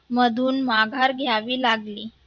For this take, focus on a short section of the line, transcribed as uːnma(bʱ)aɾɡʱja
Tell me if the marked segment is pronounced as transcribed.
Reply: no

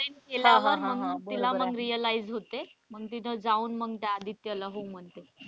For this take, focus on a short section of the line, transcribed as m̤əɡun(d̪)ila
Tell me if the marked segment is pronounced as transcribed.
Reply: no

